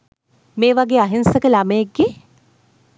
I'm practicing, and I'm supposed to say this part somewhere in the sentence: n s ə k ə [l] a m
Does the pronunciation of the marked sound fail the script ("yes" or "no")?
no